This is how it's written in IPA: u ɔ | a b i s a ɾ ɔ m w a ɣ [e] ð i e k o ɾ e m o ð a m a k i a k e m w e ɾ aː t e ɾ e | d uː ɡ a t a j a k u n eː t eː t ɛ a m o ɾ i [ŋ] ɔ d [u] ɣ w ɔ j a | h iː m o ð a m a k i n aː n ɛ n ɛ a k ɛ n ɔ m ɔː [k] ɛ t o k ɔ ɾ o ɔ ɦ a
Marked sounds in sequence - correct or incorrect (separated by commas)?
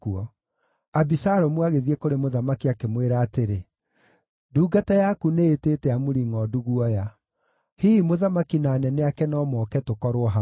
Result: correct, correct, correct, correct